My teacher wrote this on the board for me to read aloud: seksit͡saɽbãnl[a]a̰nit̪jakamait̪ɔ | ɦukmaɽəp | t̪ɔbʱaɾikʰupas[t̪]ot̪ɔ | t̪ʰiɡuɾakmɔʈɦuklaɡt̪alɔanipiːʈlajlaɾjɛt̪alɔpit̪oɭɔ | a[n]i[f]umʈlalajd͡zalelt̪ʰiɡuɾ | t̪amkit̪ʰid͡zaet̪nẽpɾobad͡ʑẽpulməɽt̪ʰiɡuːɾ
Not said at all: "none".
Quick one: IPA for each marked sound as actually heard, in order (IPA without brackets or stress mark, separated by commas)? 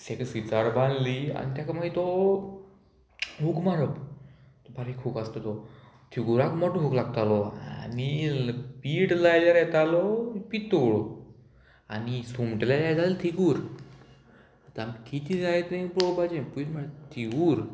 i, t̪, n, s